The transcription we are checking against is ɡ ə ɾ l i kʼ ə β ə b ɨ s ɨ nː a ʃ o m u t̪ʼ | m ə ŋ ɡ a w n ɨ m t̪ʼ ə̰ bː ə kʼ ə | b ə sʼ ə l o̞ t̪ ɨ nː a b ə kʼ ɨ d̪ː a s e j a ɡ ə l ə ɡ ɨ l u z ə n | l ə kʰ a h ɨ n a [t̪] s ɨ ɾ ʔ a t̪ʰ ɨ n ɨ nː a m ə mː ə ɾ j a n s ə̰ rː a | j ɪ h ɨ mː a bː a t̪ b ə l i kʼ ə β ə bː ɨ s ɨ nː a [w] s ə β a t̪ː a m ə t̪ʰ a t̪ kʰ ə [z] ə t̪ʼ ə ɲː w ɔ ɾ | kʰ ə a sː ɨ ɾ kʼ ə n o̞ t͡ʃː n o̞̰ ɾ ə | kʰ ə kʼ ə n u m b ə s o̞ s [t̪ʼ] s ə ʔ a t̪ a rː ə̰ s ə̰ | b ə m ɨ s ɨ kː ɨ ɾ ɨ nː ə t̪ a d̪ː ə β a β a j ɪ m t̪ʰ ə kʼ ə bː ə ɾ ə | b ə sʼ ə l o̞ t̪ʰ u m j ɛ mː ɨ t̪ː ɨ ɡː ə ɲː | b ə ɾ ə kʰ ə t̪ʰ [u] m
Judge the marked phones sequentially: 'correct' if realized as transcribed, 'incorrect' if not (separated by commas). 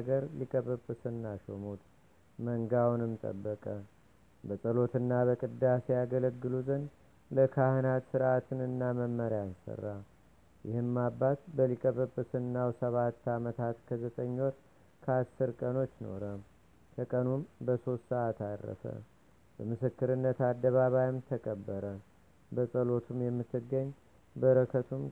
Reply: correct, correct, correct, incorrect, correct